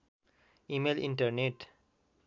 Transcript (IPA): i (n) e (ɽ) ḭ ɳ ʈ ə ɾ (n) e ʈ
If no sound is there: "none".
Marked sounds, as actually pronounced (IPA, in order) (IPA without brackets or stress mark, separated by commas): m, l, n